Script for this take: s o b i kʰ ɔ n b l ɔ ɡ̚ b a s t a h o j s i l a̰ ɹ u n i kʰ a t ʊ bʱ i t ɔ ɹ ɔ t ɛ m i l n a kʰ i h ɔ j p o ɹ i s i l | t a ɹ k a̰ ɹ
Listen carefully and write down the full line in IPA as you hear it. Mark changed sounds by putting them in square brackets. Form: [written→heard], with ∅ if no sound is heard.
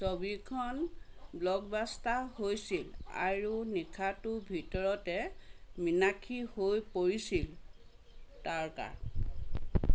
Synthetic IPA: s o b i kʰ ɔ n b l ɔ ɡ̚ b a s t a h o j s i l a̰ ɹ u n i kʰ a t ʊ bʱ i t ɔ ɹ ɔ t ɛ m i [l→∅] n a kʰ i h [ɔ→o] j p o ɹ i s i l | t a ɹ k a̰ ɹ